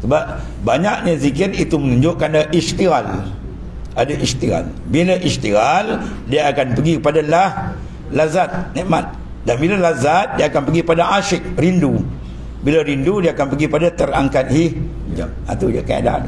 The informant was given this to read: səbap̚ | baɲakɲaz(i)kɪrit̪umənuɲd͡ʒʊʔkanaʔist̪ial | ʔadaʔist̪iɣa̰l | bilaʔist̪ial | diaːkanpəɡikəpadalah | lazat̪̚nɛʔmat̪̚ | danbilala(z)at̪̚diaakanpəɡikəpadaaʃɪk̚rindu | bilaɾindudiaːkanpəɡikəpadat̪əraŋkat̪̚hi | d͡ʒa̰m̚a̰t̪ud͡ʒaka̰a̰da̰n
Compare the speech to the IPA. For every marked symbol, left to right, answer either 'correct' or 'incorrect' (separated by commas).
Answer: correct, correct